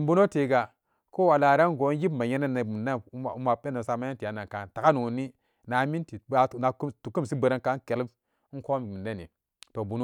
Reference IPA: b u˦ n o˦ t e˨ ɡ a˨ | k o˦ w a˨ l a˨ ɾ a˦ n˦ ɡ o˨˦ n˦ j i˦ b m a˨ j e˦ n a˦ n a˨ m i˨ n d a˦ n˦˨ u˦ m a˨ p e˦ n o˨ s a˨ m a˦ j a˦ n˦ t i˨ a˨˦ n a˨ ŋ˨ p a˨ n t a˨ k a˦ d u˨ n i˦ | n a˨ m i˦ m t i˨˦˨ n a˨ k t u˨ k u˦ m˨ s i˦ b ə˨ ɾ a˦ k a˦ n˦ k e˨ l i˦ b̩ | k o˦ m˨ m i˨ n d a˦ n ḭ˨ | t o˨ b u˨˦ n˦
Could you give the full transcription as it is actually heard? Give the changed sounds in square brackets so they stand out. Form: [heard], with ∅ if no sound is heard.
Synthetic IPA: b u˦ n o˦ t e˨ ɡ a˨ | k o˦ w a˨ l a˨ ɾ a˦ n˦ ɡ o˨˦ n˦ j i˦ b m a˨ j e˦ n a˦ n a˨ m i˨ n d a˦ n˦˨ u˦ m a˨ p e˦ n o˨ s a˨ m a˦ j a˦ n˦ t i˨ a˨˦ n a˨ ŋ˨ [k] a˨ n t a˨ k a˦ [n] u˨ n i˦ | n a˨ m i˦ [n] t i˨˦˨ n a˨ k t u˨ k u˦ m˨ s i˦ b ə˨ ɾ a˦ k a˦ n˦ k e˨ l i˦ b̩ | k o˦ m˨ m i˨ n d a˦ n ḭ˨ | t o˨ b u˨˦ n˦